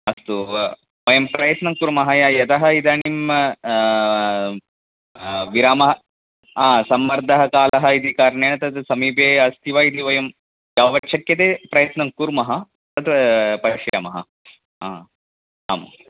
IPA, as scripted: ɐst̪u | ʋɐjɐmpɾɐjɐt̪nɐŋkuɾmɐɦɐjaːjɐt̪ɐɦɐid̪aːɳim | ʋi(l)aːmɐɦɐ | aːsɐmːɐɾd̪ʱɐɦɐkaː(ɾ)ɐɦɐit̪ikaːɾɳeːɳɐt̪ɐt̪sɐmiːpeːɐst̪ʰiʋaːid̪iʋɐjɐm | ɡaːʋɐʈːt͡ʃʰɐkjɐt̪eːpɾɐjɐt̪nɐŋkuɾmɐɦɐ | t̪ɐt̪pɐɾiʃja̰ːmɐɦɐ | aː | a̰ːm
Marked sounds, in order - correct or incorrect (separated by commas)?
incorrect, incorrect